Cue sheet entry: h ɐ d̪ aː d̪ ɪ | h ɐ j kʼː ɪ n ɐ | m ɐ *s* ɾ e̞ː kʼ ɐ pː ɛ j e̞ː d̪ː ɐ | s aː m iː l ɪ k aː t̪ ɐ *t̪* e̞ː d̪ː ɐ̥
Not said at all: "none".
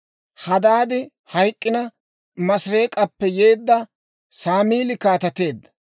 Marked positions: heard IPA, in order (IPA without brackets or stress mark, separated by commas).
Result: s, t̪